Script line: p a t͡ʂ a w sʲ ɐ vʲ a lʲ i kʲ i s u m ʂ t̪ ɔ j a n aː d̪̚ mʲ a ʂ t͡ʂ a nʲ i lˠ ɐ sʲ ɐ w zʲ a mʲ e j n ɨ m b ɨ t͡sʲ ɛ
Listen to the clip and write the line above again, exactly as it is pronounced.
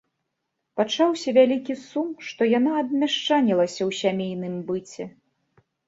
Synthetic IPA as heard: p a t͡ʂ a w sʲ ɐ vʲ a lʲ i kʲ i s u m ʂ t̪ ɔ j a n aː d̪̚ mʲ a ʂ t͡ʂ a nʲ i lˠ ɐ sʲ ɐ w sʲ a mʲ e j n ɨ m b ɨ t͡sʲ ɛ